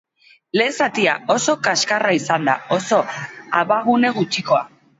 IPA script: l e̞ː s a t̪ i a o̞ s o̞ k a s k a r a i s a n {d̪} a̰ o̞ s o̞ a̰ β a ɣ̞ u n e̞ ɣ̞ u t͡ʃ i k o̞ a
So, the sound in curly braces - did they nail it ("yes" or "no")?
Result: yes